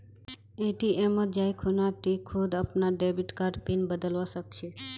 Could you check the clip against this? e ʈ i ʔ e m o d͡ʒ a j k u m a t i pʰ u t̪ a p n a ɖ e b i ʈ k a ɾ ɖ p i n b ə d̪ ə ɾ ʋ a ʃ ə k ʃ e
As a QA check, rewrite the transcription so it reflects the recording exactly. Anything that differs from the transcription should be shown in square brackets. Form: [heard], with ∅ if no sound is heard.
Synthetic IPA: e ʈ i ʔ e m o d͡ʒ a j [kʰ] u [n] a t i [kʰ] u [d̪] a p n a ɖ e b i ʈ k a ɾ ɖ p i n b ə d̪ ə [l] ʋ a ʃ ə k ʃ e